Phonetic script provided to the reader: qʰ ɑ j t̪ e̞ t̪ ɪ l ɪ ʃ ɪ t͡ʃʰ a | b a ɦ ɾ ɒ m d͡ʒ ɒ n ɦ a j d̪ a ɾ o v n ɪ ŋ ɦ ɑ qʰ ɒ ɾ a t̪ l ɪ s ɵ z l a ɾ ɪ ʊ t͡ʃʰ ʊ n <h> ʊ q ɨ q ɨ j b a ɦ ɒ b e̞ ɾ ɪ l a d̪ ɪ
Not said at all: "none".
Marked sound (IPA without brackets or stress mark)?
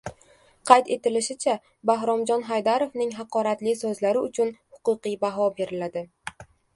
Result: h